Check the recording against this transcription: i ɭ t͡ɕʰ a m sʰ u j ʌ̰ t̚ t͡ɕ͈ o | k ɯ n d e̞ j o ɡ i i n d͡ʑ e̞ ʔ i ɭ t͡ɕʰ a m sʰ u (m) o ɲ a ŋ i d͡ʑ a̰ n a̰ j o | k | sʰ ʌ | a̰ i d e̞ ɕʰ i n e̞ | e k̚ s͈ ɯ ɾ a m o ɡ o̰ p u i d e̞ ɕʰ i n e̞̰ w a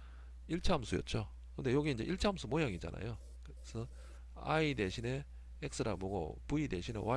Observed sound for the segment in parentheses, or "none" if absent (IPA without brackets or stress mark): m